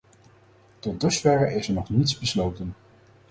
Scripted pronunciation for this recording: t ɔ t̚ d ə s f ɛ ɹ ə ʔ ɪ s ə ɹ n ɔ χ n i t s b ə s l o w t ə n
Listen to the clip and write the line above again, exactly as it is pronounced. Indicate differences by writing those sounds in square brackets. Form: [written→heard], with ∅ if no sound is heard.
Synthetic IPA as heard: t ɔ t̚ d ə s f ɛ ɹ ə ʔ ɪ s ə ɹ n ɔ χ n i t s b ə s l o w t ə n